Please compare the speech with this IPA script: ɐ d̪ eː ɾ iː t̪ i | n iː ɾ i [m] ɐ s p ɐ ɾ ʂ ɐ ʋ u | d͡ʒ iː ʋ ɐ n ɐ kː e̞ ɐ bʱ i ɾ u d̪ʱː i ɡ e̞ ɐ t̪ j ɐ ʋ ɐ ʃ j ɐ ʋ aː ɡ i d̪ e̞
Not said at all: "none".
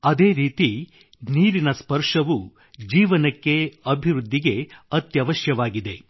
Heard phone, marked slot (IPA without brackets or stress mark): n